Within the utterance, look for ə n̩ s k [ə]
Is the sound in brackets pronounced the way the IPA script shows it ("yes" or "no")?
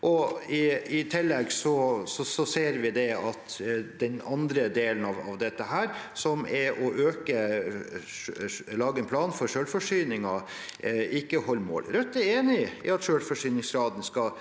no